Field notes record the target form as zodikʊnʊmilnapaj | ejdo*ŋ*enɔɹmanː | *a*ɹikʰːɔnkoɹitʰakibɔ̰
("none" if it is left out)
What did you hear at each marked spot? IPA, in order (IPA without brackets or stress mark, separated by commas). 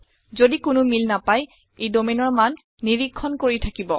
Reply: m, i